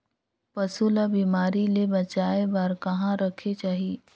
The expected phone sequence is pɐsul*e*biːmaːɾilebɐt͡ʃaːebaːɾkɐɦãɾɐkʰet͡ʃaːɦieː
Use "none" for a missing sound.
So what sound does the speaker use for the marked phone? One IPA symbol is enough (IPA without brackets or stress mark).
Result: a